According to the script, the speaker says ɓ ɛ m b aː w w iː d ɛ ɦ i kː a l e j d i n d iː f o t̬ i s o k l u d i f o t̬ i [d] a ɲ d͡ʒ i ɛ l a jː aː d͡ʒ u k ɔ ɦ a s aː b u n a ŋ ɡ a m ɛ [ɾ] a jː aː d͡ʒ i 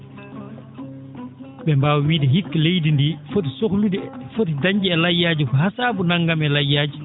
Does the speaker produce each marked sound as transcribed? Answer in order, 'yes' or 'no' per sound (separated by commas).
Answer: yes, no